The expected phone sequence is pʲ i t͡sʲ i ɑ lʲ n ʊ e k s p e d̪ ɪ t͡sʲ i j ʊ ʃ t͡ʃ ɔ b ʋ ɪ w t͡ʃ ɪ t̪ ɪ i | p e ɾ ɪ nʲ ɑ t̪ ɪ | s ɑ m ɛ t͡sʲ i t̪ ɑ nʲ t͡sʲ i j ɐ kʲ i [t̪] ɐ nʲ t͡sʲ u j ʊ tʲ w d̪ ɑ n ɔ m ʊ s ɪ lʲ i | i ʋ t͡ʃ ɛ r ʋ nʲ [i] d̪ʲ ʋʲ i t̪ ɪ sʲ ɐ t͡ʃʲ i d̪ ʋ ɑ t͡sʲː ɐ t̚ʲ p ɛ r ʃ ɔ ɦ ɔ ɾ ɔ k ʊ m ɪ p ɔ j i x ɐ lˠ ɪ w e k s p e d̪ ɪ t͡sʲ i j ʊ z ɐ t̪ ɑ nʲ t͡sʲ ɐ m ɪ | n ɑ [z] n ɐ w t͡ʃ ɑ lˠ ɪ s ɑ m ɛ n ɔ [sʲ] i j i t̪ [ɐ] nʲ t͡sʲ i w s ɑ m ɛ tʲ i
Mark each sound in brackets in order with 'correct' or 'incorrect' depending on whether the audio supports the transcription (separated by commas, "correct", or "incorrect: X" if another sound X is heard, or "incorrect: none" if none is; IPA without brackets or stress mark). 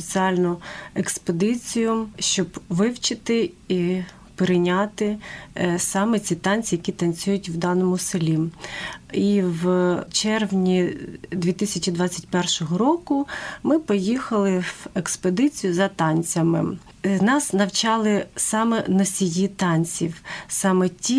correct, correct, incorrect: s, correct, incorrect: ɑ